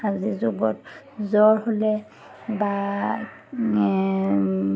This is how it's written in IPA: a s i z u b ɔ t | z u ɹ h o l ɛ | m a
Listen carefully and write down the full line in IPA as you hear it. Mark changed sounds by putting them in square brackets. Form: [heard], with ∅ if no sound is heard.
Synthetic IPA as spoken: a [z] i z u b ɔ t | z [ɔ] ɹ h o l ɛ | [b] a

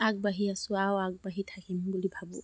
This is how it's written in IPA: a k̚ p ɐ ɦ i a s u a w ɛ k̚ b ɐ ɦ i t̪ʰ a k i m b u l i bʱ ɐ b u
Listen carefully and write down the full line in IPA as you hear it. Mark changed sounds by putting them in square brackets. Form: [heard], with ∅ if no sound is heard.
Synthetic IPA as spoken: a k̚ [b] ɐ ɦ i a s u a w [a] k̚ b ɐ ɦ i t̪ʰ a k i m b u l i bʱ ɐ b u

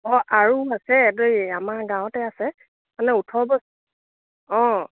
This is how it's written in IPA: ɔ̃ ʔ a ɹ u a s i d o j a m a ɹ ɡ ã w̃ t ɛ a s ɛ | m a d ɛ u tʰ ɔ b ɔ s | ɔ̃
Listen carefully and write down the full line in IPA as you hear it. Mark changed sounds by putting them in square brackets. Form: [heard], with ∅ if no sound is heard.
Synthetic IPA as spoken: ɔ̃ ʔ a ɹ u a s [ɛ] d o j a m a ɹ ɡ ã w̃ t ɛ a s ɛ | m a [n] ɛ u tʰ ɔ b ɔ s | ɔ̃

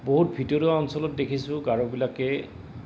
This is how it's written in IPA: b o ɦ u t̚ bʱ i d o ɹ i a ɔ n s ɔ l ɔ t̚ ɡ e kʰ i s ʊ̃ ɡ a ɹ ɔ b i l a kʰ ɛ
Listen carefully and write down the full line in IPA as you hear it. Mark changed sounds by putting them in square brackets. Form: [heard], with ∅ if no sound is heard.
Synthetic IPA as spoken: b o ɦ u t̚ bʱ i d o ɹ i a ɔ n s ɔ l ɔ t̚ [d] e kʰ i s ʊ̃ ɡ a ɹ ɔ b i l a [k] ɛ

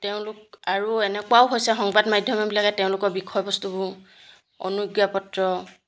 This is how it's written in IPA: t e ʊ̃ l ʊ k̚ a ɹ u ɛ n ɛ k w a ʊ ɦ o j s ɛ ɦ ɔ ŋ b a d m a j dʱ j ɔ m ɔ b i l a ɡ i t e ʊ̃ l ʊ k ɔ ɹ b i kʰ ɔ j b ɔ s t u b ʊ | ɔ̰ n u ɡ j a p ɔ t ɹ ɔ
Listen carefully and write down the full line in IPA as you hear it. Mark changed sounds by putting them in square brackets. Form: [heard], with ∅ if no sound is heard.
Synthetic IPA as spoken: t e ʊ̃ l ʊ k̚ a ɹ u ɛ n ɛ k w a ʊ ɦ o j s ɛ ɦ ɔ ŋ b a d m a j dʱ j ɔ m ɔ b i l a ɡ [ɛ] t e ʊ̃ l ʊ k ɔ ɹ b i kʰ ɔ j b ɔ s t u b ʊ | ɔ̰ n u ɡ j a p ɔ t ɹ ɔ

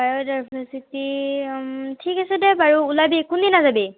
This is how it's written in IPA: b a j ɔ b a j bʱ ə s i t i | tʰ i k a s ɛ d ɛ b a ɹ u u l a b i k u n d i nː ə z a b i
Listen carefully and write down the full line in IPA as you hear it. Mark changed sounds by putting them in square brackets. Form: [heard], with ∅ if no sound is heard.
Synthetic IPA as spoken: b a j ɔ [d] a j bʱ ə s i t i | tʰ i k a s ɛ d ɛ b a ɹ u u l a b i k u n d i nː [a] z a b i

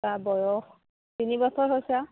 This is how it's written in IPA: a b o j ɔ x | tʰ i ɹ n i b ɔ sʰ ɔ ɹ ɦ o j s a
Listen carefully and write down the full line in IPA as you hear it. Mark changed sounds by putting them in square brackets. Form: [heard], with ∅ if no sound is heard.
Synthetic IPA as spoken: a b [ɔ] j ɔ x | [t] i [∅] n i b ɔ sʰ ɔ ɹ ɦ o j s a

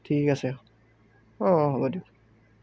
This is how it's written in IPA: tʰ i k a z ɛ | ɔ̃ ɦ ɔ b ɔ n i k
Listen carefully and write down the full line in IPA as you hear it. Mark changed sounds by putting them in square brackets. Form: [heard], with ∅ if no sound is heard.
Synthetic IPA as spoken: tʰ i k a [s] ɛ | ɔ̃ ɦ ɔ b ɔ [d] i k

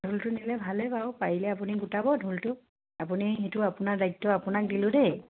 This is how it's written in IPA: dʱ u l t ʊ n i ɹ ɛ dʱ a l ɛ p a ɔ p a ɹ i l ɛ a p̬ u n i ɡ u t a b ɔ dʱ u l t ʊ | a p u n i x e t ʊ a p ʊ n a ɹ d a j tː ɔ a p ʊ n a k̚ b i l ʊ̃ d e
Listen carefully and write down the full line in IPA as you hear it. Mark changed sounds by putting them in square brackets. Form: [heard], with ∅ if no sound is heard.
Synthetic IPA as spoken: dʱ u l t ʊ n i [l] ɛ [bʱ] a l ɛ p a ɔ p a ɹ i l ɛ a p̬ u n i ɡ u t a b ɔ dʱ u l t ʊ | a p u n i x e t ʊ a p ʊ n a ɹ d a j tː ɔ a p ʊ n a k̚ [d] i l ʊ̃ d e

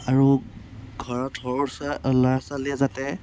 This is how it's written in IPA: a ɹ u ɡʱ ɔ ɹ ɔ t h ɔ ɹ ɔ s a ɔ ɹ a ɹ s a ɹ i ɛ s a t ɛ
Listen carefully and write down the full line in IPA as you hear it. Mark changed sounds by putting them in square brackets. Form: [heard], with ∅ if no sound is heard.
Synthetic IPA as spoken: a ɹ u ɡʱ ɔ ɹ ɔ t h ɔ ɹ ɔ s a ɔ [l] a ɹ s a [l] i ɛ [z] a t ɛ

